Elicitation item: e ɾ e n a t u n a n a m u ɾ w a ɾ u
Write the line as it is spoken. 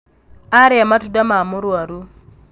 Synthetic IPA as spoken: a ɾ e m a t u d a m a m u ɾ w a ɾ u